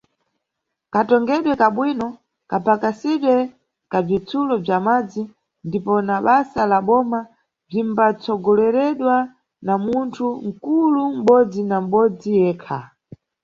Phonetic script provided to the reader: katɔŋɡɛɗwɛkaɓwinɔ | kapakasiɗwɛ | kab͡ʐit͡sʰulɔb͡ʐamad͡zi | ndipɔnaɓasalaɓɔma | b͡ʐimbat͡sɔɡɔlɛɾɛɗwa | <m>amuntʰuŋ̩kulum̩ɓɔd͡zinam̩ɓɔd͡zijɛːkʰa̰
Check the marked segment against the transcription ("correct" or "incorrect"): incorrect